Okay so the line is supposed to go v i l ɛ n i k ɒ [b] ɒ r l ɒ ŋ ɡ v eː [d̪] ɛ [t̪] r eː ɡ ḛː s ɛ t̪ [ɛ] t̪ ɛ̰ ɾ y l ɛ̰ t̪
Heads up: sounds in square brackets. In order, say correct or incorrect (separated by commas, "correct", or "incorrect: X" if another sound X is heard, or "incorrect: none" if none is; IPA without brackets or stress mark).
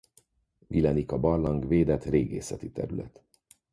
correct, correct, correct, incorrect: i